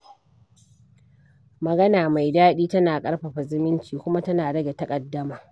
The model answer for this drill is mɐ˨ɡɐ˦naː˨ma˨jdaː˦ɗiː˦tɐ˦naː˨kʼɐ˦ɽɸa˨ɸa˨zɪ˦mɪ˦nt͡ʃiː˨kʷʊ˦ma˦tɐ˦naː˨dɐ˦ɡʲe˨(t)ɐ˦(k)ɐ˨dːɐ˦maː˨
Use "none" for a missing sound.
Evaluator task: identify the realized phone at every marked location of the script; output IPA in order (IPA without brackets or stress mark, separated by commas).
t, kʼ